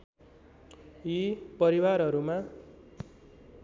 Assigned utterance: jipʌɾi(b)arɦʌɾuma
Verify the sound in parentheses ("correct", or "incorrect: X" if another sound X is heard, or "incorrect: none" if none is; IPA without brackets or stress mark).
incorrect: w